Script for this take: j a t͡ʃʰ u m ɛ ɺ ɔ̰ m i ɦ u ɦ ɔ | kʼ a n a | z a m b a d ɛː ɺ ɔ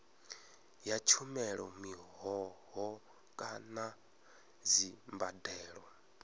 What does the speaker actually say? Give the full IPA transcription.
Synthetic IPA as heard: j a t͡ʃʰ u m ɛ ɺ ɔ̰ m i ɦ ɔ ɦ ɔ | kʼ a n a | z i m b a d ɛː ɺ ɔ